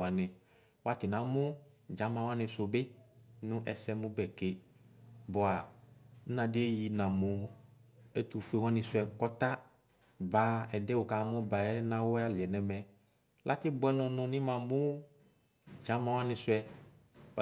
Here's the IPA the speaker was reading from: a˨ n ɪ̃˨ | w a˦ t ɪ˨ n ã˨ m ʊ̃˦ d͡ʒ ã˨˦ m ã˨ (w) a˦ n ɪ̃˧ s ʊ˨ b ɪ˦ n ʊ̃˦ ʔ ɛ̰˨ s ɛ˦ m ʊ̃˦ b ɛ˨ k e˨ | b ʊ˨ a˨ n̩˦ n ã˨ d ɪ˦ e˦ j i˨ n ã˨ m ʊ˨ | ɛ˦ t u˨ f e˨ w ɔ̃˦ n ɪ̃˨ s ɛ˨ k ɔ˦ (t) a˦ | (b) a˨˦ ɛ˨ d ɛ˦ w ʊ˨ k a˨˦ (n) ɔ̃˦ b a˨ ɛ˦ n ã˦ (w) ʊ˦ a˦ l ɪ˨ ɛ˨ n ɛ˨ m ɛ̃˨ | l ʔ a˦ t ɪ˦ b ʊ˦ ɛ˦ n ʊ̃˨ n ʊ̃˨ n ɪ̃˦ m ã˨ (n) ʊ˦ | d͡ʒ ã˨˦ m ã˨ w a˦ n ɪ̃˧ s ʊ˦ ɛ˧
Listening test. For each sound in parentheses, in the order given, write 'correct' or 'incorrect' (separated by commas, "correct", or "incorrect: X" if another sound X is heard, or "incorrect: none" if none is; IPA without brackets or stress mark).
correct, correct, correct, incorrect: m, correct, incorrect: m